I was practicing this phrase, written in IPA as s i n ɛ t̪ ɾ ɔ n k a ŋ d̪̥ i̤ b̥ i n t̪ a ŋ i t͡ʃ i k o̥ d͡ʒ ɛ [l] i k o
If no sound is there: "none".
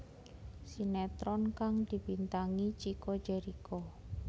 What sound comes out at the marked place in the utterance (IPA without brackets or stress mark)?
ɾ